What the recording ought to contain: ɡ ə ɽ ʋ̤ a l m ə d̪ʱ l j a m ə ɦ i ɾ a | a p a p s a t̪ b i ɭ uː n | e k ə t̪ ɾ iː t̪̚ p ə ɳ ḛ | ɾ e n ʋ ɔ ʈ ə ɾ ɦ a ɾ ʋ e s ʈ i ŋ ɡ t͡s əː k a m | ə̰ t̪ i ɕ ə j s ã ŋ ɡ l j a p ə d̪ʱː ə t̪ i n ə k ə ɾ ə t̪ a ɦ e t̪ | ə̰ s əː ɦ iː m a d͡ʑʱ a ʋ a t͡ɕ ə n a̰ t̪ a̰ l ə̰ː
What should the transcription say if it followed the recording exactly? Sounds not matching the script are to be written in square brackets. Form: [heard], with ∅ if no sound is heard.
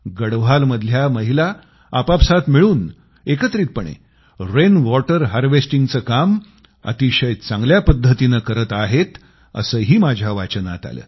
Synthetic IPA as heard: ɡ ə ɽ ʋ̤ a l m ə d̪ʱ l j a m ə ɦ i [l] a | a p a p s a t̪ [m] i ɭ uː n | e k ə t̪ ɾ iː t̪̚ p ə ɳ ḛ | ɾ e n ʋ ɔ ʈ ə ɾ ɦ a ɾ ʋ e s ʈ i ŋ ɡ t͡s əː k a m | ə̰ t̪ i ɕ ə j [t͡s] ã ŋ ɡ l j a p ə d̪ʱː ə t̪ i n ə k ə ɾ ə t̪ a ɦ e t̪ | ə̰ s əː ɦ iː m a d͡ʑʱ a ʋ a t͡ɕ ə n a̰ t̪ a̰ l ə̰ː